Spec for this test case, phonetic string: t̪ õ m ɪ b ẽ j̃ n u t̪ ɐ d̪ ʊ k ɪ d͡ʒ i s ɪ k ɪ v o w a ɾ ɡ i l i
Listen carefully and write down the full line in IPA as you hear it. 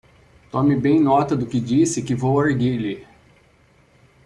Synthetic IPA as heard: t̪ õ m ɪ b ẽ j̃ n ɔ t̪ ɐ d̪ ʊ k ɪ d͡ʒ i s ɪ k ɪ v o w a ɾ ɡ i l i